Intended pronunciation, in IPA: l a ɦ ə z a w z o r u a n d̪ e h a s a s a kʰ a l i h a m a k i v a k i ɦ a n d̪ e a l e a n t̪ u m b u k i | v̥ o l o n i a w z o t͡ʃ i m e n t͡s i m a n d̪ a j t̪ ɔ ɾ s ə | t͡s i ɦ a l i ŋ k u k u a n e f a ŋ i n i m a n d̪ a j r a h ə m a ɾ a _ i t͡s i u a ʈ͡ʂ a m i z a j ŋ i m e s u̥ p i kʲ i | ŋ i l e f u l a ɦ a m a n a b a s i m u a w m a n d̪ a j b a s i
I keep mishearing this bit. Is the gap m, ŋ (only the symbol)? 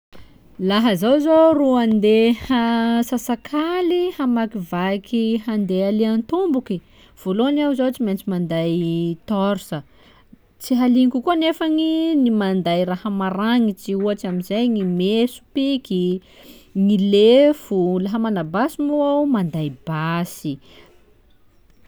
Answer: ŋ